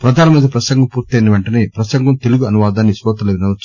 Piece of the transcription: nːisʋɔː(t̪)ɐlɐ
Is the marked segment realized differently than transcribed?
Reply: no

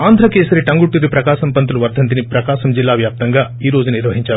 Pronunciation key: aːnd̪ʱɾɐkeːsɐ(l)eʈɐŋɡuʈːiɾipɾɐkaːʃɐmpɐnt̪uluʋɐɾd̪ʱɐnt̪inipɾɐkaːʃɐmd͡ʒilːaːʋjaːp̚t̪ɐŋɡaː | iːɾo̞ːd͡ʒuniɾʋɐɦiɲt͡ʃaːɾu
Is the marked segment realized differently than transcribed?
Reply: yes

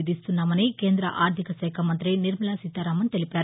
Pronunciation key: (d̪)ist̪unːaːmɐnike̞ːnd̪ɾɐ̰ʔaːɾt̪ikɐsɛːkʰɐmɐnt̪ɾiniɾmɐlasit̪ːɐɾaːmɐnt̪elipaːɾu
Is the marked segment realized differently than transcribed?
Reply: no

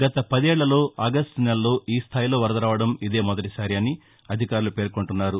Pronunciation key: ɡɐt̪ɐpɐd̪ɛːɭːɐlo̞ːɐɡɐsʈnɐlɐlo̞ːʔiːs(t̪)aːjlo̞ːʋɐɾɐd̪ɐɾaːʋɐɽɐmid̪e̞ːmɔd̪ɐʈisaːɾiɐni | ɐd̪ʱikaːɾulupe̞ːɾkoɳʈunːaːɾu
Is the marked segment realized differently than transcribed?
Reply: yes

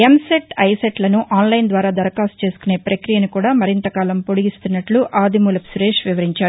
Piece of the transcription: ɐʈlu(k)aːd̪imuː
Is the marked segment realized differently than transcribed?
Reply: yes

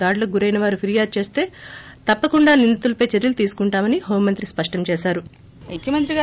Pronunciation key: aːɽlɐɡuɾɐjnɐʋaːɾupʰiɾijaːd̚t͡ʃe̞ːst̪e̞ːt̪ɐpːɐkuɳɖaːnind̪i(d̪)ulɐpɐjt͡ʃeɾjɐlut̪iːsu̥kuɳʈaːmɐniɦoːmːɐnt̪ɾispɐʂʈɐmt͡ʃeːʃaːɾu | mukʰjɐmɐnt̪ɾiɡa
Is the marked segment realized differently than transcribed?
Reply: yes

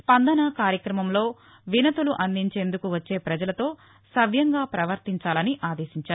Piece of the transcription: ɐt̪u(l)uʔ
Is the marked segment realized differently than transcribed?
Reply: no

